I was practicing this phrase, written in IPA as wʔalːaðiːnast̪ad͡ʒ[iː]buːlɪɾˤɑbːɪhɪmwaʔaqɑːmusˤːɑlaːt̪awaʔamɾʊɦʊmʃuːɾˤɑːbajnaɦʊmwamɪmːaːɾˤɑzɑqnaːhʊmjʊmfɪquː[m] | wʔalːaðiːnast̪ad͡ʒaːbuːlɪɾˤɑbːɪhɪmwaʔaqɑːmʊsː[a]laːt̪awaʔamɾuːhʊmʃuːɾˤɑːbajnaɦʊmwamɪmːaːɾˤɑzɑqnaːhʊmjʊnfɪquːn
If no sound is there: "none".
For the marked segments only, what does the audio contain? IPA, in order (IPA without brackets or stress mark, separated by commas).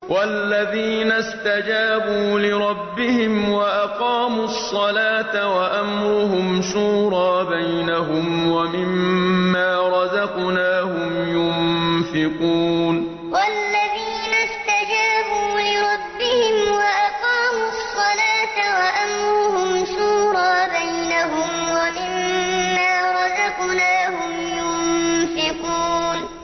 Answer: aː, n, ɑ